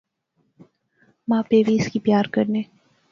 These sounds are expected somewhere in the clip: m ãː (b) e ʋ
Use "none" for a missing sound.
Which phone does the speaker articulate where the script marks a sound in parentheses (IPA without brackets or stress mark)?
p